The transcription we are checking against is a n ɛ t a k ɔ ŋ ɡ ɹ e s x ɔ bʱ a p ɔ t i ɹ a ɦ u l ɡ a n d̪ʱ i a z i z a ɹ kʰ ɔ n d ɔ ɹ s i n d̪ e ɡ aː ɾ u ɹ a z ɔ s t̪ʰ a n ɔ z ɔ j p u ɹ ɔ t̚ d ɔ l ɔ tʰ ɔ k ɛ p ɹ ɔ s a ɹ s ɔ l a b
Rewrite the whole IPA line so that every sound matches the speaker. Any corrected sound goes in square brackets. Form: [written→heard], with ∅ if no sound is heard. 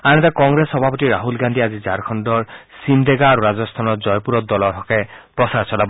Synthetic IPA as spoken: a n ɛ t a k ɔ ŋ ɡ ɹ e s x ɔ bʱ a p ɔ t i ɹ a ɦ u l ɡ a n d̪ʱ i a z i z a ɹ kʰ ɔ n d ɔ ɹ s i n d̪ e ɡ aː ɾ u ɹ a z ɔ s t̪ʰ a n ɔ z ɔ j p u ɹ ɔ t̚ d ɔ l ɔ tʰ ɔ k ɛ p ɹ ɔ s a ɹ s ɔ l a b